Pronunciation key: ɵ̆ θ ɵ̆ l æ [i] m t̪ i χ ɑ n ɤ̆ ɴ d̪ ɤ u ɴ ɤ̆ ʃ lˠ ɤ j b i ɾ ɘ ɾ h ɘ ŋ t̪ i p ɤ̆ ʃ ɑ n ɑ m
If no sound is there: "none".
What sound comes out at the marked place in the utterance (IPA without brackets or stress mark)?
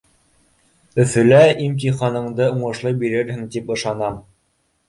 i